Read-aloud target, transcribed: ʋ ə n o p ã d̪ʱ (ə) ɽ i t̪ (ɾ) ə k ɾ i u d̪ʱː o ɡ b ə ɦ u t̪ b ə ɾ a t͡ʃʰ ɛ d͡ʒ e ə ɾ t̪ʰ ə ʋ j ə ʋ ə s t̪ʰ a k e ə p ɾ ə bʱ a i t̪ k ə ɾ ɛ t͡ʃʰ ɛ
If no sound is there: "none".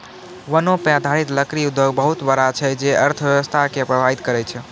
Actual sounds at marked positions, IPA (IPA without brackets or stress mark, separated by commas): a, l